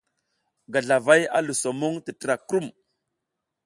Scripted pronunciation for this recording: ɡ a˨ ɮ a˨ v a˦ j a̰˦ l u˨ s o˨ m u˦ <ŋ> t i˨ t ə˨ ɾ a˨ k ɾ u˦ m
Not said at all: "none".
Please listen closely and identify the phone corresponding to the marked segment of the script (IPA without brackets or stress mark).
ŋ